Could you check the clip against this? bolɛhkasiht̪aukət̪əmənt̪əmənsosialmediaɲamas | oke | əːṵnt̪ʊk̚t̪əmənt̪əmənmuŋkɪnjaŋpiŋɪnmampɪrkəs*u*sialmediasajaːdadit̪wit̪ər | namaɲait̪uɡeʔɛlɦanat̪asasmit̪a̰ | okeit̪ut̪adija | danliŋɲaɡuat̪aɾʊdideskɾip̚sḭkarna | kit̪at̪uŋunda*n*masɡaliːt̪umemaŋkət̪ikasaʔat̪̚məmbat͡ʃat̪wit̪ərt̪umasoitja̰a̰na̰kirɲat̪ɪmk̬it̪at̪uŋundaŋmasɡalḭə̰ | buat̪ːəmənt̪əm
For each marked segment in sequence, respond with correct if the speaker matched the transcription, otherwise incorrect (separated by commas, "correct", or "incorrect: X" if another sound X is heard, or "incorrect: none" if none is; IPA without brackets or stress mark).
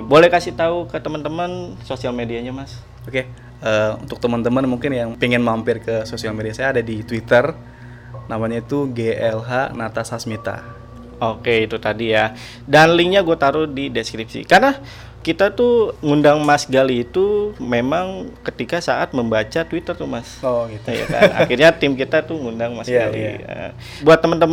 incorrect: o, incorrect: ŋ